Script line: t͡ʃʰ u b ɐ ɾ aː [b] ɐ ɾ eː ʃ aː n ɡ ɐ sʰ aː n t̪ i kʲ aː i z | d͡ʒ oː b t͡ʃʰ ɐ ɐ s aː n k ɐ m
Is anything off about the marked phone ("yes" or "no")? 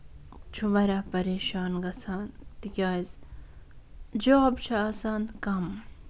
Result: yes